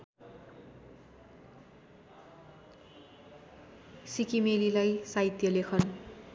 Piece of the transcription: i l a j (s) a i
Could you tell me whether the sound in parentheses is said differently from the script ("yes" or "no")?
no